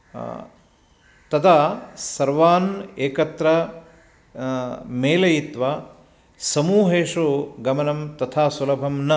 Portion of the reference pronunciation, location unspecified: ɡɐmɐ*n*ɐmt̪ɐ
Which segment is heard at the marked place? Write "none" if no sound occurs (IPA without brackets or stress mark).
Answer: n